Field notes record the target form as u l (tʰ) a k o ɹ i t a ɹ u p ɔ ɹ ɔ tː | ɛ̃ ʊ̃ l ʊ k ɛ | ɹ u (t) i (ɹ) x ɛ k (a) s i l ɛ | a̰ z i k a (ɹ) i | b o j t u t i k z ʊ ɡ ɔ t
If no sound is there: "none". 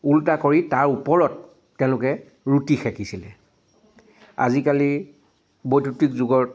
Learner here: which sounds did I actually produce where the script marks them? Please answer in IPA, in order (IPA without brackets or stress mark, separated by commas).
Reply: t, t, none, i, l